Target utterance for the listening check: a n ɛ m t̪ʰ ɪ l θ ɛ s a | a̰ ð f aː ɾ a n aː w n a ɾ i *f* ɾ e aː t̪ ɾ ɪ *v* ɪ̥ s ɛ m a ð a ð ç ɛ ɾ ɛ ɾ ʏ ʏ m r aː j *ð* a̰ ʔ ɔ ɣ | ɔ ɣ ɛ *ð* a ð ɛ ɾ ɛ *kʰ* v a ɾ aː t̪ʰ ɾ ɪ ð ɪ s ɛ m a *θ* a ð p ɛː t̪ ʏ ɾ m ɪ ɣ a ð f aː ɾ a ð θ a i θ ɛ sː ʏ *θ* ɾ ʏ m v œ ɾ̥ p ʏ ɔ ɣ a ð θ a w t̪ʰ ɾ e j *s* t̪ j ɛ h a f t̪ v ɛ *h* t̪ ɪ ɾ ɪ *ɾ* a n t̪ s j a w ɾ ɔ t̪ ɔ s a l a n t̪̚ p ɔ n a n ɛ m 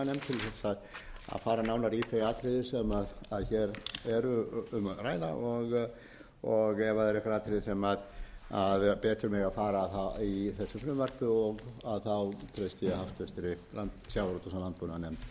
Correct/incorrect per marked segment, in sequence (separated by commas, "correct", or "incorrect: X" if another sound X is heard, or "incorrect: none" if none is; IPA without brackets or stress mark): correct, incorrect: ð, correct, incorrect: v, incorrect: k, incorrect: ð, incorrect: f, correct, incorrect: s, incorrect: l